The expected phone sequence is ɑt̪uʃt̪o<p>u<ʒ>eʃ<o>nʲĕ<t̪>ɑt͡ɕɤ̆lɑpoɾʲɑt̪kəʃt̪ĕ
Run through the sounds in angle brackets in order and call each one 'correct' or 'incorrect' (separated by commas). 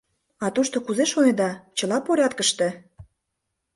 incorrect, incorrect, correct, incorrect